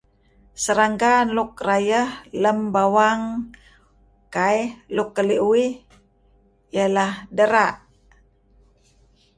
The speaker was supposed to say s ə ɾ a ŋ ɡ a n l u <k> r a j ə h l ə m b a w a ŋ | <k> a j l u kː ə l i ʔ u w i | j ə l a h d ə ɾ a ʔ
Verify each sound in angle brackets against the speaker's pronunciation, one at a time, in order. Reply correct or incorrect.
correct, correct

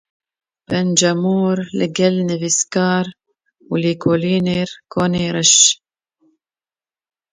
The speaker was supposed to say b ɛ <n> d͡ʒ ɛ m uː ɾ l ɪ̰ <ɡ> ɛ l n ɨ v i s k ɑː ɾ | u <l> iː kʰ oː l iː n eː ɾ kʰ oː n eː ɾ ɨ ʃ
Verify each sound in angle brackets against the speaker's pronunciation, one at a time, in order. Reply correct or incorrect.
correct, correct, correct

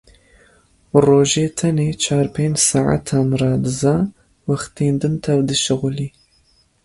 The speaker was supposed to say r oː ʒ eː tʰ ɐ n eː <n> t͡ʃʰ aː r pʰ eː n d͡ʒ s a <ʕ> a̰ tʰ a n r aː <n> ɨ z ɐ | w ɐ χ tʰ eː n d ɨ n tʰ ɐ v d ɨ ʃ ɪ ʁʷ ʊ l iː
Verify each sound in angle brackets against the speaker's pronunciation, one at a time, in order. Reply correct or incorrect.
incorrect: none, correct, incorrect: d

